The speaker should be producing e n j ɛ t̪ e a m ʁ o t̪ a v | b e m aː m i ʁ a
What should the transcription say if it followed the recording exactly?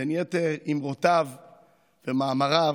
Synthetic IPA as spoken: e n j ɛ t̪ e i m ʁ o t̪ a v | v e m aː m a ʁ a